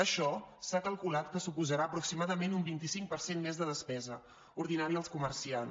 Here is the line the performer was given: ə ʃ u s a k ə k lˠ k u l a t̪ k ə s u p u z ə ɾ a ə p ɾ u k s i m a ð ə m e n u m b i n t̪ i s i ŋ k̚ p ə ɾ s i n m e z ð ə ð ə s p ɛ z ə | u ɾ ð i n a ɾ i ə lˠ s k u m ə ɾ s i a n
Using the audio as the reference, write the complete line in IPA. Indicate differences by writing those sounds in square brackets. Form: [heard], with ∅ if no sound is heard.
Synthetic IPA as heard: ə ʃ [ɔ] s a k ə [∅] lˠ k u l a t̪ k ə s u p u z ə ɾ a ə p ɾ u k s i m a ð ə m e n u m b i n t̪ i s i ŋ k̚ p ə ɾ s [e] n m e z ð ə ð ə s p ɛ z ə | u ɾ ð i n a ɾ i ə lˠ s k u m ə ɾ s i a n